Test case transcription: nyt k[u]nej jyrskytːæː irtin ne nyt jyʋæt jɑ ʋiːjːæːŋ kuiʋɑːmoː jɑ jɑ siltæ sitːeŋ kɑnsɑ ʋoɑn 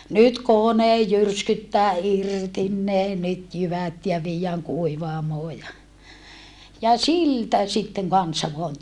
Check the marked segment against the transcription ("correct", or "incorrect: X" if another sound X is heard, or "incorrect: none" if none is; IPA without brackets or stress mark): incorrect: o